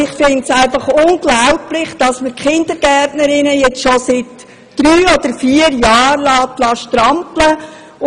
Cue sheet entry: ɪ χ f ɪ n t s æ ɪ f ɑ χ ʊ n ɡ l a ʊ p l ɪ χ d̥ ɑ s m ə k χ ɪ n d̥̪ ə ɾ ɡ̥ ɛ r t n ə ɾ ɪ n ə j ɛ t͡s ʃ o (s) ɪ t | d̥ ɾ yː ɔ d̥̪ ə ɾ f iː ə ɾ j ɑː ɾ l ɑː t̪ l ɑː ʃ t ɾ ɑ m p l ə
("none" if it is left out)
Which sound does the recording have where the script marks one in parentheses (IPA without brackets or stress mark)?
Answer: s